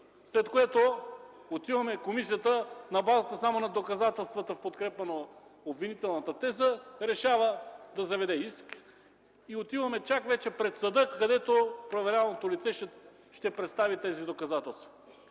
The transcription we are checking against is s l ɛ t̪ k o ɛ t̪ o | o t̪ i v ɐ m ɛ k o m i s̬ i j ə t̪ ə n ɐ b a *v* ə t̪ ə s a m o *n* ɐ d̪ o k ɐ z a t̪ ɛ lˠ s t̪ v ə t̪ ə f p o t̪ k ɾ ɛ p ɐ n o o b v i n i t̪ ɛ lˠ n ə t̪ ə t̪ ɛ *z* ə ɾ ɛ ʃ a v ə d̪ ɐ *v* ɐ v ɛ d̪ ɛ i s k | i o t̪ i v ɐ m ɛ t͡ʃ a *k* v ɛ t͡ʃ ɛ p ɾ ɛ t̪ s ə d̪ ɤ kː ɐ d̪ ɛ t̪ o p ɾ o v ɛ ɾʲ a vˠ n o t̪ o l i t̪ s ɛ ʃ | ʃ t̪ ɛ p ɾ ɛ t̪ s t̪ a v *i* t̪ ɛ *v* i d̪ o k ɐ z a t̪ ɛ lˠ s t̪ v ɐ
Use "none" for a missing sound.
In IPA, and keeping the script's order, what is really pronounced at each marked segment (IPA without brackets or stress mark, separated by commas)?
z, n, z, z, k, i, z